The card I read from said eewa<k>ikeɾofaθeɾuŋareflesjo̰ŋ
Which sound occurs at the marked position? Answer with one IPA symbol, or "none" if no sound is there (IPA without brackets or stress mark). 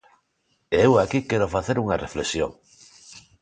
k